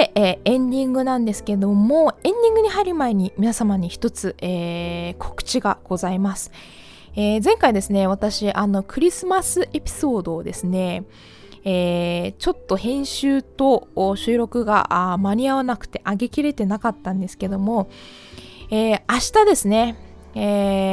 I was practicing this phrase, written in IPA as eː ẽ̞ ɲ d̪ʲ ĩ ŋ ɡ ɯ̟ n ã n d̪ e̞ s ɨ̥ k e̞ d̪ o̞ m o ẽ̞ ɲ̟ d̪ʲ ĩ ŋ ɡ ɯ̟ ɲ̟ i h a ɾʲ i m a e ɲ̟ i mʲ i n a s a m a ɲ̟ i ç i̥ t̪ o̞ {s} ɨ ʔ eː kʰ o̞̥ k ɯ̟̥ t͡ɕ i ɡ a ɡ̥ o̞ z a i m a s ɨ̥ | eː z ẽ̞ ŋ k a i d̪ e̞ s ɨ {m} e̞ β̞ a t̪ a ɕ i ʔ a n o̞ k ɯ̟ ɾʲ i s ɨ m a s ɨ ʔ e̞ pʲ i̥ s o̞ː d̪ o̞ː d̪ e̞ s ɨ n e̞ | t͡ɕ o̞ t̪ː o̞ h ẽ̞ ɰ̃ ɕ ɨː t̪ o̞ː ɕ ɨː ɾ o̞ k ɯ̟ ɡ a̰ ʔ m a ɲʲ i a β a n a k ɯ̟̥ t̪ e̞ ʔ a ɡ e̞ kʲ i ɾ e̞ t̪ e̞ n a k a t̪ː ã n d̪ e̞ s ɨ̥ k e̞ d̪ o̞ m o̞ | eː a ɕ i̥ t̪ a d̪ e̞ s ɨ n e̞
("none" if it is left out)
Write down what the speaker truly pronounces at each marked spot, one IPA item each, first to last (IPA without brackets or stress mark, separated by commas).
t͡s, n